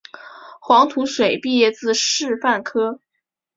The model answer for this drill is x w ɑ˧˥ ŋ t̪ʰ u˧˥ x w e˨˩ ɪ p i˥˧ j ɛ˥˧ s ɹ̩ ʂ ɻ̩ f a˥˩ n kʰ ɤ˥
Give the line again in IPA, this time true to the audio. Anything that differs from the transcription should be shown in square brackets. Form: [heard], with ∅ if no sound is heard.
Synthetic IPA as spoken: x w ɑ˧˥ ŋ t̪ʰ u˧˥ [ʂ] w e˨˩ ɪ p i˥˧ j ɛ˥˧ [t͡s] ɹ̩ ʂ ɻ̩ f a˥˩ n kʰ ɤ˥